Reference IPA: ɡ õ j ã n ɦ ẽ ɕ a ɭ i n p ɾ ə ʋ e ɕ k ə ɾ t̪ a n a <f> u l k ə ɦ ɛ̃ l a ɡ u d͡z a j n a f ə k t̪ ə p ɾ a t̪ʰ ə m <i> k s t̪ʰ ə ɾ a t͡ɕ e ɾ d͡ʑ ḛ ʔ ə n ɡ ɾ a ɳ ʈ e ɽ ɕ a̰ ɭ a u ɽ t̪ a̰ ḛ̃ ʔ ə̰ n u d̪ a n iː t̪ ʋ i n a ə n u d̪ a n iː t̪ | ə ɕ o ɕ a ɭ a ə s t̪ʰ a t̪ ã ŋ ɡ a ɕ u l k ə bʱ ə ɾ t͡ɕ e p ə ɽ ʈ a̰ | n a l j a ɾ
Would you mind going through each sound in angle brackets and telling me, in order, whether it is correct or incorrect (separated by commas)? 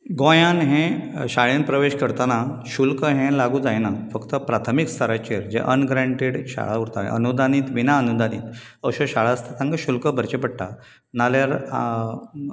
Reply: incorrect, correct